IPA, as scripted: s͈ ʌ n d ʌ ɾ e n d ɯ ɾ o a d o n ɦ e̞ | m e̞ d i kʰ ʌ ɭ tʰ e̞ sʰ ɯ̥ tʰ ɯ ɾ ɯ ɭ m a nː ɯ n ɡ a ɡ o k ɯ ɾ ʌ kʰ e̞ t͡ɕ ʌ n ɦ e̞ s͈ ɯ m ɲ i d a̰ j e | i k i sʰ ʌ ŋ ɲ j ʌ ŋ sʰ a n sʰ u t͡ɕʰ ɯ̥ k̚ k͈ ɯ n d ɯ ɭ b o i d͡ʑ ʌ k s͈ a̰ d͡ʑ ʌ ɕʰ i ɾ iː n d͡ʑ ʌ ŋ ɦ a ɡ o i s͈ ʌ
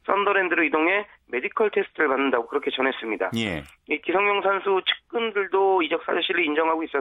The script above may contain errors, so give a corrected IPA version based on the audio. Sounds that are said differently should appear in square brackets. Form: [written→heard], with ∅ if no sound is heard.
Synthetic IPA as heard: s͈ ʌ n d ʌ ɾ e n d ɯ ɾ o [a→i] d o [n→ŋ] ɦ e̞ | m e̞ d i kʰ ʌ ɭ tʰ e̞ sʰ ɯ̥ tʰ ɯ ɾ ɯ ɭ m a nː ɯ n [ɡ→d] a ɡ o k ɯ ɾ ʌ kʰ e̞ t͡ɕ ʌ n ɦ e̞ s͈ ɯ m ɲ i d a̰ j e | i k i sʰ ʌ ŋ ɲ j ʌ ŋ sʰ a n sʰ u t͡ɕʰ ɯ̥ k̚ k͈ ɯ n d ɯ ɭ [b→d] o i d͡ʑ ʌ k s͈ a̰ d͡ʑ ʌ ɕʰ i ɾ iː n d͡ʑ ʌ ŋ ɦ a ɡ o i s͈ ʌ